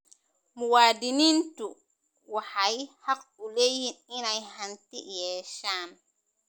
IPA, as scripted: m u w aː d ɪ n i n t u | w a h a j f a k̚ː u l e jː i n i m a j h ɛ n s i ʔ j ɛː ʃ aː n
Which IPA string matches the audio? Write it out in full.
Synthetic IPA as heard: m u w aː d i n i n t u | w a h a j h a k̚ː u l e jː i n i n a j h a n t i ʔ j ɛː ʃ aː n